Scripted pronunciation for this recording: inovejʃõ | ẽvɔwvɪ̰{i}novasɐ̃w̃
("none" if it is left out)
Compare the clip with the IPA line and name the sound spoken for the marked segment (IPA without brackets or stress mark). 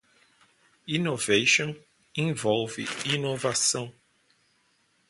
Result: i